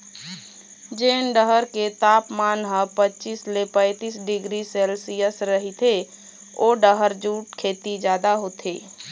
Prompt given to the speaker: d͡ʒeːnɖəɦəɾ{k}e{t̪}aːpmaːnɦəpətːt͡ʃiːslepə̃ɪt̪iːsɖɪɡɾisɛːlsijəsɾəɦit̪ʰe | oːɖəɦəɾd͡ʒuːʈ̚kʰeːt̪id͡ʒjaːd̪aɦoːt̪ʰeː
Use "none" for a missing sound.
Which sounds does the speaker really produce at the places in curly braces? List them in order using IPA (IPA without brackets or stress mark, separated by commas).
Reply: k, t̪